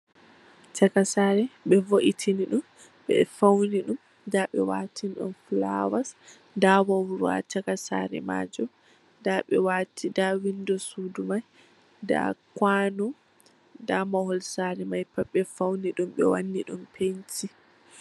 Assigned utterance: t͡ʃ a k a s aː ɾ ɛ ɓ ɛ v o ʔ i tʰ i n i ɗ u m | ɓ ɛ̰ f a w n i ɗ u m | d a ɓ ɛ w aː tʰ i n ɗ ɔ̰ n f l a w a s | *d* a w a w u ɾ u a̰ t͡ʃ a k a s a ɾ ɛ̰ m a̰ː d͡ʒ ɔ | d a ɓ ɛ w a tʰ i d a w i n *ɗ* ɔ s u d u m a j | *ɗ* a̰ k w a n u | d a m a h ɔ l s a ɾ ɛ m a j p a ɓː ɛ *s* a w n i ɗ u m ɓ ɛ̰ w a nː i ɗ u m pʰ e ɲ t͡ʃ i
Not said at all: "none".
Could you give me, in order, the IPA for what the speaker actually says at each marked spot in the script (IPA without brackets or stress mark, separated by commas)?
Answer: d, d, d, f